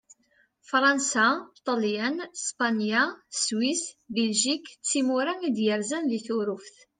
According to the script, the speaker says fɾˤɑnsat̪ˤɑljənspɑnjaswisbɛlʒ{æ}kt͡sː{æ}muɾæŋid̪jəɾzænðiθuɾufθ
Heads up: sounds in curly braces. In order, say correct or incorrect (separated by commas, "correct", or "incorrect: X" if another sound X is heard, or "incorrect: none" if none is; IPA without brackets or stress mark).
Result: incorrect: i, incorrect: i